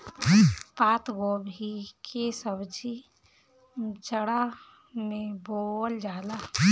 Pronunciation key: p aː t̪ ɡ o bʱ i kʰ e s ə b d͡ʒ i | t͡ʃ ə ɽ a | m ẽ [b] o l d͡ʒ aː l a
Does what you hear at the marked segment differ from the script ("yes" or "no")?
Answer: no